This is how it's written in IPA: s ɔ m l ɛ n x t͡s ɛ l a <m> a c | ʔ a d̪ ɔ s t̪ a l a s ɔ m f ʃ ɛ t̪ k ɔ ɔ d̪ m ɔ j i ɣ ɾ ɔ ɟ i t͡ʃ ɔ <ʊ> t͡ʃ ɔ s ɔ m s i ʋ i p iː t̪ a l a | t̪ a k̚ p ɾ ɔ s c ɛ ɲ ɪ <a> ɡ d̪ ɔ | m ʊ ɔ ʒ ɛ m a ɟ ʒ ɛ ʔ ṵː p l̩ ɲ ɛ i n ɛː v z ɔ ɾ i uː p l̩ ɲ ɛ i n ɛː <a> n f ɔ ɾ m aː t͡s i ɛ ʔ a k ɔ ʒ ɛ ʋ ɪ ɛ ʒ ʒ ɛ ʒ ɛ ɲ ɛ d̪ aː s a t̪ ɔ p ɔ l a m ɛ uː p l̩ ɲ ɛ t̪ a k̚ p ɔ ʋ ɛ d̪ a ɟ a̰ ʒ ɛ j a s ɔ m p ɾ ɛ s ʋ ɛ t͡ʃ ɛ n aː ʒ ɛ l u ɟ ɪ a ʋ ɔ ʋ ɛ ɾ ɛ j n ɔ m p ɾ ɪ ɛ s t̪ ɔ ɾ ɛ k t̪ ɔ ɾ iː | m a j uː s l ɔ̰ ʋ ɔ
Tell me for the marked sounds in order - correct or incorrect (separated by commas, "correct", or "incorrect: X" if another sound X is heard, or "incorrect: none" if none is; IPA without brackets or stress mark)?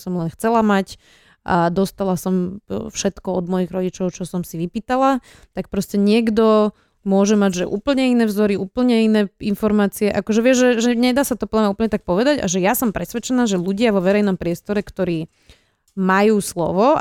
correct, correct, incorrect: ɛ, incorrect: i